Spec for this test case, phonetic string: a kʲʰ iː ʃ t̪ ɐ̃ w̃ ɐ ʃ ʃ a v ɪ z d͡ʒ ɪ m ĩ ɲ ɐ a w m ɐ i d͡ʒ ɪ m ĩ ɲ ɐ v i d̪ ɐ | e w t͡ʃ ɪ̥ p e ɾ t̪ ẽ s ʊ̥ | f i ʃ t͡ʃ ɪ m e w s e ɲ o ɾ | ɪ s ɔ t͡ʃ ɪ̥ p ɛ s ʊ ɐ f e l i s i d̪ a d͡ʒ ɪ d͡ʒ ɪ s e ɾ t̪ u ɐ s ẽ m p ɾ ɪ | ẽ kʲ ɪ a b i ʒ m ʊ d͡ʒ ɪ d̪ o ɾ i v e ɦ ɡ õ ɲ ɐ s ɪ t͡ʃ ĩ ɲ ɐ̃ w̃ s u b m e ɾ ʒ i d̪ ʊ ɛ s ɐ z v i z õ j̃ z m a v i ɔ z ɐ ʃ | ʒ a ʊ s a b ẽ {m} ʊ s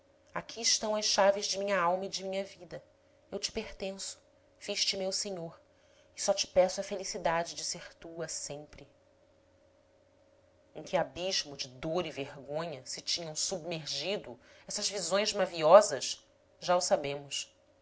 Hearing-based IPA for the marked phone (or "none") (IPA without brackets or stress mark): m